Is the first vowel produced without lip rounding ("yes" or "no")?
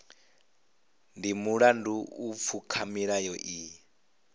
yes